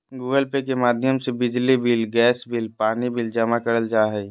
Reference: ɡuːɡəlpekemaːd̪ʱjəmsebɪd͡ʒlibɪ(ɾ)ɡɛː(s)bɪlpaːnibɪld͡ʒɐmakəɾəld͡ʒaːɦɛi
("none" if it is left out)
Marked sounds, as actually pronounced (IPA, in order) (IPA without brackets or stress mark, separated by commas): l, s